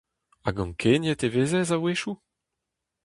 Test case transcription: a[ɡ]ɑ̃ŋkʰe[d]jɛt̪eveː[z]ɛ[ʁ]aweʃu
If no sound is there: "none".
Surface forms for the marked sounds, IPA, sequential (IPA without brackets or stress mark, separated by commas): ɡ, n, z, z